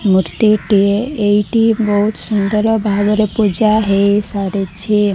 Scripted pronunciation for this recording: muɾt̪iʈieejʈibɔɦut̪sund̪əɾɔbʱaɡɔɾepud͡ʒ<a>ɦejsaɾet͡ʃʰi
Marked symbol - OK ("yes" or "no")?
yes